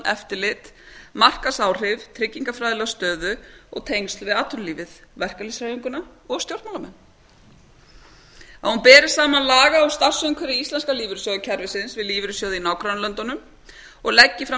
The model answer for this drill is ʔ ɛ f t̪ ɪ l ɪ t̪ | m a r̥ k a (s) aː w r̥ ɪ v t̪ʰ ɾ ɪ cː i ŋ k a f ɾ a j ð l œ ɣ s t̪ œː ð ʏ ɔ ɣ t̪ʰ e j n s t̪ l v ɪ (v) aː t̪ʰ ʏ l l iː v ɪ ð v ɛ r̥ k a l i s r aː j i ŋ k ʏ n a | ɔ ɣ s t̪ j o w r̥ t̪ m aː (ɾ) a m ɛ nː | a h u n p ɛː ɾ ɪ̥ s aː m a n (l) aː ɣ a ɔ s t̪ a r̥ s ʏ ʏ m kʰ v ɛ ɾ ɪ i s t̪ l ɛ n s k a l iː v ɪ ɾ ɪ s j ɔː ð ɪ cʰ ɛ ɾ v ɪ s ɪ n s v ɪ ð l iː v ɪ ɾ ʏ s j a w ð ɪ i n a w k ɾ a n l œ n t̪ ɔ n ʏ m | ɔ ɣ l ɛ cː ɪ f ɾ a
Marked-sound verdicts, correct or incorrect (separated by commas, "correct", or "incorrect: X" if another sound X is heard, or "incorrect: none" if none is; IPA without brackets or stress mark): correct, incorrect: ð, incorrect: l, correct